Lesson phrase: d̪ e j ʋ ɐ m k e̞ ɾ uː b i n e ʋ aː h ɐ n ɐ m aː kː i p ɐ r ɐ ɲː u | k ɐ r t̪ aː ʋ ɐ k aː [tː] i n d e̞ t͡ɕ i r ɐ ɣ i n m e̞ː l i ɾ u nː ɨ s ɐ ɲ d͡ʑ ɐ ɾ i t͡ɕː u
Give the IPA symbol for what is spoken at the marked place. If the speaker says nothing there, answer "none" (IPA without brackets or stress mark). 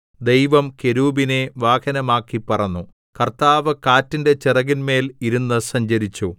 tː